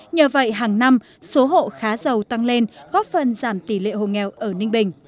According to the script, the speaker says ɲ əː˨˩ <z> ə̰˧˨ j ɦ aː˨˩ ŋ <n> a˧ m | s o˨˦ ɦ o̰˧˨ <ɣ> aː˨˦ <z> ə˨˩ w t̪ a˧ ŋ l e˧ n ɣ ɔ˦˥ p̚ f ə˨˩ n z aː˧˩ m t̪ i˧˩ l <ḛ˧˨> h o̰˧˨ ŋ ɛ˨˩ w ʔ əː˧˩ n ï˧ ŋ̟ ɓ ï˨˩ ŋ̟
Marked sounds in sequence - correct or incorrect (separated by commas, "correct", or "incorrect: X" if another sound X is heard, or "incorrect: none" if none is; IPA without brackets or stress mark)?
incorrect: v, correct, incorrect: x, correct, correct